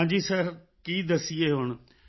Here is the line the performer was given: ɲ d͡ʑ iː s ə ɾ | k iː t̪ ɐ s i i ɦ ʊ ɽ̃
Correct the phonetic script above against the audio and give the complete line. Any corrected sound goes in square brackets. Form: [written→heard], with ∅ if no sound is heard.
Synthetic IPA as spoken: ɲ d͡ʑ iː s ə ɾ | k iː [t̪→d̪] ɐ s i [i→e] ɦ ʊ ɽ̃